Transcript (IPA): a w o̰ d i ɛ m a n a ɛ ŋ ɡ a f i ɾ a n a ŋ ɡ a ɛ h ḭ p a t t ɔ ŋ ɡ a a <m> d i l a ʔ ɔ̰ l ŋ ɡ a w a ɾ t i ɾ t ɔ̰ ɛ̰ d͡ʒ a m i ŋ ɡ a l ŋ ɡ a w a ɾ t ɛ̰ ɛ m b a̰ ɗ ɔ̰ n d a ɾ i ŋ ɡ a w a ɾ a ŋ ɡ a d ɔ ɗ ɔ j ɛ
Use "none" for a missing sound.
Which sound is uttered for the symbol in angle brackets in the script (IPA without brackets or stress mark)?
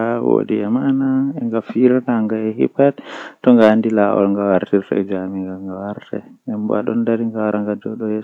n